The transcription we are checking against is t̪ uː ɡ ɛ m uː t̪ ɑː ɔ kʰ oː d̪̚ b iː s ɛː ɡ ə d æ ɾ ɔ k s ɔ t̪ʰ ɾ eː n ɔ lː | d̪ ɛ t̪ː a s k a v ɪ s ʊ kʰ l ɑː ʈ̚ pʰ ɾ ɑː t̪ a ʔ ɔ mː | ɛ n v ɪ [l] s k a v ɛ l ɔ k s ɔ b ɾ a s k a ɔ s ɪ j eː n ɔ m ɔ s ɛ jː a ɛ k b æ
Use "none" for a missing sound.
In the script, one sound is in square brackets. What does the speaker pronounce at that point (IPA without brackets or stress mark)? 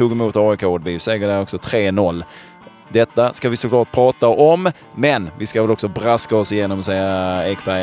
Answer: none